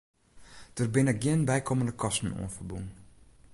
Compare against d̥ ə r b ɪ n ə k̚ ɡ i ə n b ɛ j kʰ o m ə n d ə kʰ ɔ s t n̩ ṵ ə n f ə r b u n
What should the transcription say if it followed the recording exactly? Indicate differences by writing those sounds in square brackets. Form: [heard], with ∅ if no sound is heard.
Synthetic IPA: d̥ ə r b ɪ n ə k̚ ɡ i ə n b ɛ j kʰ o m ə n d ə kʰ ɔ s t n̩ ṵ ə n f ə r b u n